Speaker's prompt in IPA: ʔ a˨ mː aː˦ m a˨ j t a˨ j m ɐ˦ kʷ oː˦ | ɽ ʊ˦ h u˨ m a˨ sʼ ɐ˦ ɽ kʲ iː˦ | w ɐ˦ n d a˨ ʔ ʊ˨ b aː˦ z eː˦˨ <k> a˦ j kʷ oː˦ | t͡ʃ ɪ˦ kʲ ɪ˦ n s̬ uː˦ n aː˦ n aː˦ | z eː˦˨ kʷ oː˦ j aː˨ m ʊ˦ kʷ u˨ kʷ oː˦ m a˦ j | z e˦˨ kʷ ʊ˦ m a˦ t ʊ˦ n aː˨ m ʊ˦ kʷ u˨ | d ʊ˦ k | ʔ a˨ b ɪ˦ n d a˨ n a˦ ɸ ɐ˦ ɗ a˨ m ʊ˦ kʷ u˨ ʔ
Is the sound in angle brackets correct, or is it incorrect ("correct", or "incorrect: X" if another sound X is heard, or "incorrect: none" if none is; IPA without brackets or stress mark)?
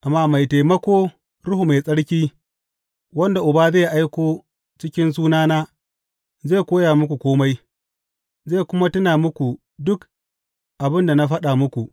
incorrect: ʔ